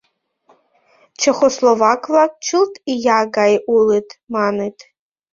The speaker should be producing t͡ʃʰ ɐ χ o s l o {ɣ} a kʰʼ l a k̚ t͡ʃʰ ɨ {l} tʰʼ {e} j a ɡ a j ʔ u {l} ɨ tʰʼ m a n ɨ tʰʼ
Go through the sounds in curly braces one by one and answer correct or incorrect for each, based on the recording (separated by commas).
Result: incorrect, correct, incorrect, correct